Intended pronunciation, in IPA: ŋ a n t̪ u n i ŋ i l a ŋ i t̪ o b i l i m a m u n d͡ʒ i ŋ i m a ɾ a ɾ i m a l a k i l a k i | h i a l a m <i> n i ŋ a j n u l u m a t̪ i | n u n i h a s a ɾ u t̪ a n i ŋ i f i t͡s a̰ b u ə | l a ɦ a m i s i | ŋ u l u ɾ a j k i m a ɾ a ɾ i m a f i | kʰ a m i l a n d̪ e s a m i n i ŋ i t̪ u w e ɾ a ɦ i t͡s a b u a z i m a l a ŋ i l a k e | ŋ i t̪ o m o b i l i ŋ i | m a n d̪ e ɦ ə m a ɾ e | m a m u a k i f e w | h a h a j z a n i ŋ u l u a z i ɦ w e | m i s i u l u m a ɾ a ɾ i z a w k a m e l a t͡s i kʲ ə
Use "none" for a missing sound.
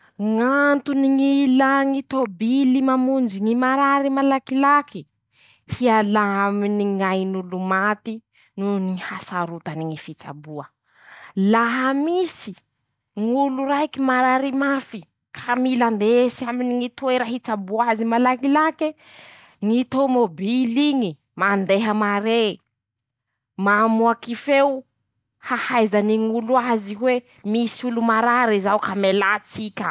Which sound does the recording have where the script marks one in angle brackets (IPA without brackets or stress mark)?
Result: i